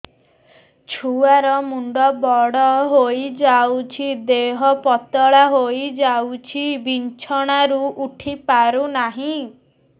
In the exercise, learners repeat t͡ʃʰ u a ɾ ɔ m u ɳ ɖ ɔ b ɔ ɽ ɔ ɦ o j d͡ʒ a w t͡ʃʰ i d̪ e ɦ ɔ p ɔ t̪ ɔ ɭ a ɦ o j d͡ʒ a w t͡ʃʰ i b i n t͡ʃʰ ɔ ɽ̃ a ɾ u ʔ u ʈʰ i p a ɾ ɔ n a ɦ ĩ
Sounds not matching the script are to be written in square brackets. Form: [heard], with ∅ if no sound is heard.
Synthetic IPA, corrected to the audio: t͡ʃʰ u a ɾ ɔ m u ɳ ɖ ɔ b ɔ ɽ ɔ ɦ o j d͡ʒ a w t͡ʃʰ i d̪ e ɦ ɔ p ɔ t̪ ɔ ɭ a ɦ o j d͡ʒ a w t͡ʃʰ i b i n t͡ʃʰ ɔ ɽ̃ a ɾ u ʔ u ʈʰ i p a ɾ [u] n a ɦ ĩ

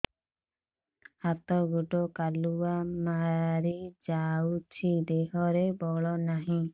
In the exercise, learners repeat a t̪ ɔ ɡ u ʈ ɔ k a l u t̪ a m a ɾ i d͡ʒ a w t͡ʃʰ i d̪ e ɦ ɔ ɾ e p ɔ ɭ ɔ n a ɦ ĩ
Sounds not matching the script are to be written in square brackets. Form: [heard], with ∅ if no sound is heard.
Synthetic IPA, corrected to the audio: a t̪ ɔ ɡ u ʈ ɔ k a l u [∅] a m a ɾ i d͡ʒ a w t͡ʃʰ i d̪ e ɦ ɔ ɾ e [b] ɔ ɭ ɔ n a ɦ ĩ

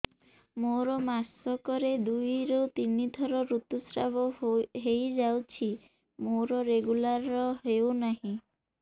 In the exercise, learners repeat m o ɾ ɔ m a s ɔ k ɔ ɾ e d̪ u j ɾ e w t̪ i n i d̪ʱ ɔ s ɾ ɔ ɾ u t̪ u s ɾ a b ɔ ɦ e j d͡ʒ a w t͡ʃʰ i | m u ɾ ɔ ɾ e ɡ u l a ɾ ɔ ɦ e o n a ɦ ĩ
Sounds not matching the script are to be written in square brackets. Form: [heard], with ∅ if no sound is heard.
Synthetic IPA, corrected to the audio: m o ɾ ɔ m a s ɔ k ɔ ɾ e d̪ u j ɾ e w t̪ i n i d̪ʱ ɔ [∅] ɾ ɔ ɾ u t̪ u s ɾ a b ɔ ɦ e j d͡ʒ a w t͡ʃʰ i | m [o] ɾ ɔ ɾ e ɡ u l a ɾ ɔ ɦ e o n a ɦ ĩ

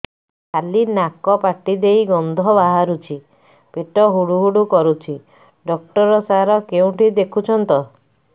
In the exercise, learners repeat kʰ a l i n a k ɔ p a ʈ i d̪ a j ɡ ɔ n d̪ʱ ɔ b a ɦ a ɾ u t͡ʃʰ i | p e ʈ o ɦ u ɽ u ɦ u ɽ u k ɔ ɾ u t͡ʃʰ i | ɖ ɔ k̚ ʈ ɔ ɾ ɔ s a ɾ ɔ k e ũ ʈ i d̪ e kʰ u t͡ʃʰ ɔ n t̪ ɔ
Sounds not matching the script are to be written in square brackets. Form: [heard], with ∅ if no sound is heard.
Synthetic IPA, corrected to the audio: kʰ a l i n a k ɔ p a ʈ i d̪ [e] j ɡ ɔ n d̪ʱ ɔ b a ɦ a ɾ u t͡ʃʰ i | p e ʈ [ɔ] ɦ u ɽ u ɦ u ɽ u k ɔ ɾ u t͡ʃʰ i | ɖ ɔ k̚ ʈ ɔ ɾ ɔ s a ɾ ɔ k e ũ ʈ i d̪ e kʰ u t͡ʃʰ ɔ n t̪ ɔ

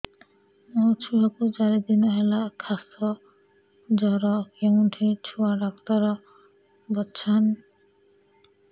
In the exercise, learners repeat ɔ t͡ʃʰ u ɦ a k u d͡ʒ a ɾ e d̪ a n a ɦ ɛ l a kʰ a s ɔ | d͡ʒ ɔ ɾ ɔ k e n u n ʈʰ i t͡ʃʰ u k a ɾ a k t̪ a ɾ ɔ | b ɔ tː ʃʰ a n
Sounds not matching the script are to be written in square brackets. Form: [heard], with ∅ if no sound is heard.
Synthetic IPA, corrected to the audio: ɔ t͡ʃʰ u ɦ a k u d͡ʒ a ɾ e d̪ [i] n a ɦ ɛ l a kʰ a s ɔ | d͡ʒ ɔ ɾ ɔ k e [ŋ] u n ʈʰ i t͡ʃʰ u [∅] a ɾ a k t̪ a ɾ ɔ | b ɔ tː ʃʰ a n

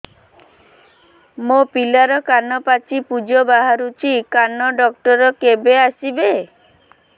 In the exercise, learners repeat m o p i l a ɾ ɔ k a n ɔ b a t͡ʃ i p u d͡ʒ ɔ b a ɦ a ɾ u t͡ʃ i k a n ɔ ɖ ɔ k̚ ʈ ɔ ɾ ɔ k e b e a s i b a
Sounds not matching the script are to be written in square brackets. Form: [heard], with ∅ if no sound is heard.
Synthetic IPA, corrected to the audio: m o p i l a ɾ ɔ k a n ɔ [p] a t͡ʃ i p u d͡ʒ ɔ b a ɦ a ɾ u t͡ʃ i k a n ɔ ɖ ɔ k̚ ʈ ɔ ɾ ɔ k e b e a s i b [e]

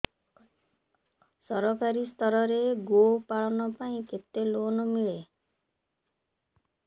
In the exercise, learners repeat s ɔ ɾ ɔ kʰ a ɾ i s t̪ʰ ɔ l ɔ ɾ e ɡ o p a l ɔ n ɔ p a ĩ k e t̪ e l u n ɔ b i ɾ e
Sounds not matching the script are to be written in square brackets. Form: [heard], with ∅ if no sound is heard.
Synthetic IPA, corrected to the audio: s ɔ ɾ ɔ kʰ a ɾ i s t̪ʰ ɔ [ɾ] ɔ ɾ e ɡ o p a [ɭ] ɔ n ɔ p a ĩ k e t̪ e l [o] n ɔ [m] i [ɭ] e

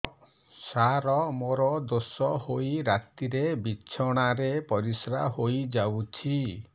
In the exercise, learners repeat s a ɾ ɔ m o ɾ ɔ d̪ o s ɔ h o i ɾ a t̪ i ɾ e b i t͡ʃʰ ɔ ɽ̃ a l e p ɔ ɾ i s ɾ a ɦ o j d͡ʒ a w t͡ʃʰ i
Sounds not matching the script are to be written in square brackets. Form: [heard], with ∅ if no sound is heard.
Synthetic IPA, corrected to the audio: s a ɾ ɔ m o ɾ ɔ d̪ o s ɔ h o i ɾ a t̪ i ɾ e b i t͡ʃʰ ɔ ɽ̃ a [ɾ] e p ɔ ɾ i s ɾ a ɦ o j d͡ʒ a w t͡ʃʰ i

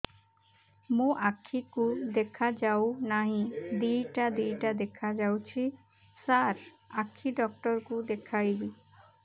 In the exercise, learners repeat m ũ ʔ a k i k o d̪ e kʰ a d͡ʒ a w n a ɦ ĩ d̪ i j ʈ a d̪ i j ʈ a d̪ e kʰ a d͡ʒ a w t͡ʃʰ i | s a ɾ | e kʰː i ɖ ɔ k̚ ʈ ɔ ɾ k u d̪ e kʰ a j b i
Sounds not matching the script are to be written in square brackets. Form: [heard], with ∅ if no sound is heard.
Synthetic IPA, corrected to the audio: m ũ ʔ a [kʰ] i k [u] d̪ e kʰ a d͡ʒ a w n a ɦ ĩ d̪ i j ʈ a d̪ i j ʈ a d̪ e kʰ a d͡ʒ a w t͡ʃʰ i | s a ɾ | [a] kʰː i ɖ ɔ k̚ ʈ ɔ ɾ k u d̪ e kʰ a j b i

